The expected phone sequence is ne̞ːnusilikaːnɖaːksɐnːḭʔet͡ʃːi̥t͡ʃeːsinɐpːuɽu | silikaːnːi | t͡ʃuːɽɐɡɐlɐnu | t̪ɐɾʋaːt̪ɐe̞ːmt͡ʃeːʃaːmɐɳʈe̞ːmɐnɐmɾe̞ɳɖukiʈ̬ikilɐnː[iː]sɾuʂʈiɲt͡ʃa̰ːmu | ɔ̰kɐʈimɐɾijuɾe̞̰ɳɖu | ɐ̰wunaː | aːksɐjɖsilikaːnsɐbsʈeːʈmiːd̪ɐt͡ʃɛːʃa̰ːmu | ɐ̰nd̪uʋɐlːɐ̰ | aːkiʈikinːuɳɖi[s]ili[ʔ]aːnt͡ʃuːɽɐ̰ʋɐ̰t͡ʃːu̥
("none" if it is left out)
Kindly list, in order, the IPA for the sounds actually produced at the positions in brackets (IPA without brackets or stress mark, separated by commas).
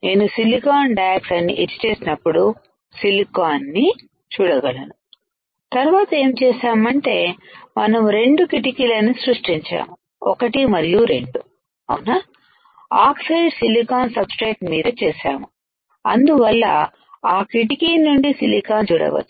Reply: i, s, k